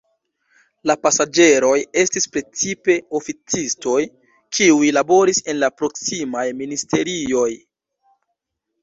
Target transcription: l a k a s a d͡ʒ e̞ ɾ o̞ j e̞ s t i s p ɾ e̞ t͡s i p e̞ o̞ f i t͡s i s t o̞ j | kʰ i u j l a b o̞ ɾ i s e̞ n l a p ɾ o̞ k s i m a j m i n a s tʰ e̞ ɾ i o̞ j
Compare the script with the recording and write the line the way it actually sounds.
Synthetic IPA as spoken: l a p a s a d͡ʒ e̞ ɾ o̞ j e̞ s t i s p ɾ e̞ t͡s i p e̞ o̞ f i t͡s i s t o̞ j | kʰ i u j l a b o̞ ɾ i s e̞ n l a p ɾ o̞ k s i m a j m i n i s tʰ e̞ ɾ i o̞ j